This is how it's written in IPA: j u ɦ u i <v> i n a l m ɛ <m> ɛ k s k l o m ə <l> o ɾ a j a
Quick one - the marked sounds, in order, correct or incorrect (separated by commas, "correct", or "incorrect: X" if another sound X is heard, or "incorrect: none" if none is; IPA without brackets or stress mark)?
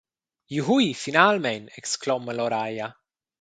incorrect: f, incorrect: n, correct